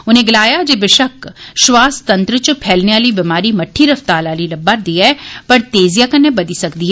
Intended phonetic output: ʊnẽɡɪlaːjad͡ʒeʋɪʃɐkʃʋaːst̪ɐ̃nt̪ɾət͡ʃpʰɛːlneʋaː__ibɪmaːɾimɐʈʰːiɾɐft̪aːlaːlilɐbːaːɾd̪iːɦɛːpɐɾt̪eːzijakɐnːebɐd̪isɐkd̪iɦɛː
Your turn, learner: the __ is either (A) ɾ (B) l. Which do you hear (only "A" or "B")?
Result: B